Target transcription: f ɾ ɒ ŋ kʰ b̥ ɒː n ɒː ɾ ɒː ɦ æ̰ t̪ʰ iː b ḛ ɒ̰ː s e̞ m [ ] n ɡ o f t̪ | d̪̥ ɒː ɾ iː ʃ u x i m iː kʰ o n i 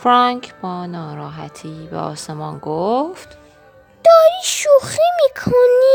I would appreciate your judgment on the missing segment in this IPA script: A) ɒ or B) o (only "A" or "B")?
A